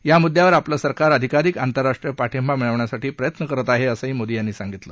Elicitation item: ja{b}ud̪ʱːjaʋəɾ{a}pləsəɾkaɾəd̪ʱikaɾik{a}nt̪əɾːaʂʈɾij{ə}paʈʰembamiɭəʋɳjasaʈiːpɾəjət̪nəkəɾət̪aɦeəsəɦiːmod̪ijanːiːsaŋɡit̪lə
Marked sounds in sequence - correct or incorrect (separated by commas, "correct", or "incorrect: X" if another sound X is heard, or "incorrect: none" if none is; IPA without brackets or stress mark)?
incorrect: m, correct, correct, correct